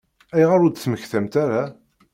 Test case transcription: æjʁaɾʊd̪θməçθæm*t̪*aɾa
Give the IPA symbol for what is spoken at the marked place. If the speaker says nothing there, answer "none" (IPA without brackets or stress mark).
t̪